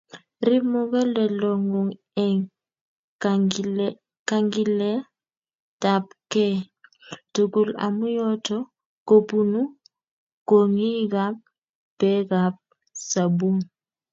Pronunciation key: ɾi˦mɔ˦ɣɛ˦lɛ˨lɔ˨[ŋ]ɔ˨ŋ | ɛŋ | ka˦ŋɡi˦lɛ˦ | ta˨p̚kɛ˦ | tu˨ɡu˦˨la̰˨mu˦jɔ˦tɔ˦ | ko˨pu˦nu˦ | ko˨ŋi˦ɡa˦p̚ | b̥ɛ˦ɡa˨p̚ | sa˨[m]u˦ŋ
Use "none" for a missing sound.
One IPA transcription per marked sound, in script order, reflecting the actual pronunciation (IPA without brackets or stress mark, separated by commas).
ŋ, b